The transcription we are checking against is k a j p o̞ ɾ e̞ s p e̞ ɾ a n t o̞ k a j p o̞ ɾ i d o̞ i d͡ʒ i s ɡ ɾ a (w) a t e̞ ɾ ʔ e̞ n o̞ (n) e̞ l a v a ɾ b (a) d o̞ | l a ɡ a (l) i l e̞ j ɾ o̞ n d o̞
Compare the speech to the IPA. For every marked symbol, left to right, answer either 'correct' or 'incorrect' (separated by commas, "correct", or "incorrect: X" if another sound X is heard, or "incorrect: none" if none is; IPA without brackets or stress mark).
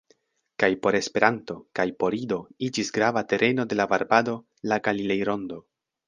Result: incorrect: v, incorrect: d, correct, correct